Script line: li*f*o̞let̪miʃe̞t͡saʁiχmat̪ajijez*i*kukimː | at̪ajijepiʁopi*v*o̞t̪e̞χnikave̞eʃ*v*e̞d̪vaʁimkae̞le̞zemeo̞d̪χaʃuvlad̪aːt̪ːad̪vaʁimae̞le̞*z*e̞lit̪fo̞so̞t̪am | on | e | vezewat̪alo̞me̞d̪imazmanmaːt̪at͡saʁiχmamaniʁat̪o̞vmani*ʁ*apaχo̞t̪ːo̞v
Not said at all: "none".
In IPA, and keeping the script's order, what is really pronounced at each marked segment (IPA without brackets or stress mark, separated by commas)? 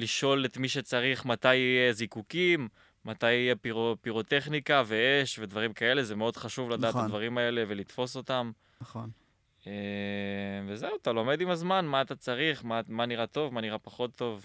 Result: ʃ, i, ʁ, v, v, ʁ